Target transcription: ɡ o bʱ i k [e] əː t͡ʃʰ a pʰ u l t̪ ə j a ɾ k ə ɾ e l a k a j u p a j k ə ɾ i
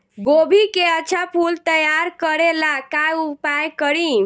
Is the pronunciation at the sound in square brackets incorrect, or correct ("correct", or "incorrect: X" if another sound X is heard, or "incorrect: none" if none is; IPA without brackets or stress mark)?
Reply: correct